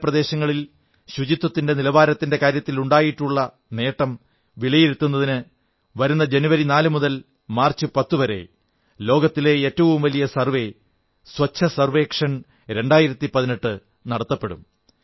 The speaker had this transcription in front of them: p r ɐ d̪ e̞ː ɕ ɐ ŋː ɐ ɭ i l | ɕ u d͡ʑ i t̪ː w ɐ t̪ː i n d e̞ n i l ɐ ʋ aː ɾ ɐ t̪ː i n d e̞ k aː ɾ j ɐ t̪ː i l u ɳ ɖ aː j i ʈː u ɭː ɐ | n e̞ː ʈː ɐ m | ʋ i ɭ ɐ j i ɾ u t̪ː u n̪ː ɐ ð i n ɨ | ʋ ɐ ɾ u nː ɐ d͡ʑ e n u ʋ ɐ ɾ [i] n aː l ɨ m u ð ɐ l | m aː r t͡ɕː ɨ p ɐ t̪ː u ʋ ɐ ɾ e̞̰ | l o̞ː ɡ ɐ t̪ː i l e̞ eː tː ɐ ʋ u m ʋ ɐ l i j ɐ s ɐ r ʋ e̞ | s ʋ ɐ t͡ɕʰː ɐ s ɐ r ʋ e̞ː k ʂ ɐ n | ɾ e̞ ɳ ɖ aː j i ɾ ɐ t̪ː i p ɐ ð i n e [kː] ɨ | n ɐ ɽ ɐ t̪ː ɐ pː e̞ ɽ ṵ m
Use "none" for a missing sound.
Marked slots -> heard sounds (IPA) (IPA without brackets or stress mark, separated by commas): i, ʈː